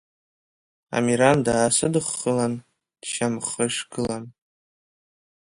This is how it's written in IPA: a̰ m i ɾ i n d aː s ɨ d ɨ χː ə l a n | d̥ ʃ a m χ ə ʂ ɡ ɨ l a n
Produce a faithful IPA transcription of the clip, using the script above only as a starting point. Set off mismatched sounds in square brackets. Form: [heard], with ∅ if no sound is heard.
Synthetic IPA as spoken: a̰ m i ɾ [a] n d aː s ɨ d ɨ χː ə l a n | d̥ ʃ a m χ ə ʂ ɡ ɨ l a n